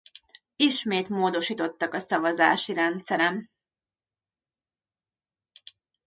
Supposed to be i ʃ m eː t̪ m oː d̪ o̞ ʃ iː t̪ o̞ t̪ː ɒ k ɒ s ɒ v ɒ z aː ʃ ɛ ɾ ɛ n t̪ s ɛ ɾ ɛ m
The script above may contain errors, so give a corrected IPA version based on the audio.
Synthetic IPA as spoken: i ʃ m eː t̪ m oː d̪ o̞ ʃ iː t̪ o̞ t̪ː ɒ k ɒ s ɒ v ɒ z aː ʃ i ɾ ɛ n t̪ s ɛ ɾ ɛ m